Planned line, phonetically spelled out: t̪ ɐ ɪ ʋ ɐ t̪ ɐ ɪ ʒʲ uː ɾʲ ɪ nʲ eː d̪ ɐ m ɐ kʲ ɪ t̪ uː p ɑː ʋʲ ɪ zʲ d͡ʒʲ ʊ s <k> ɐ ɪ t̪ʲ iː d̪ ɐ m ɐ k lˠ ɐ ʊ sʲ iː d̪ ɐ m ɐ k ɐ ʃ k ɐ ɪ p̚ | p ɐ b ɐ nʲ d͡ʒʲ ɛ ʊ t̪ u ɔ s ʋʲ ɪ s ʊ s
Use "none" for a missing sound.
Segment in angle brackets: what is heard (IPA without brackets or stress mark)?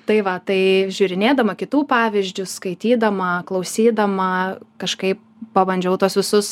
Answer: k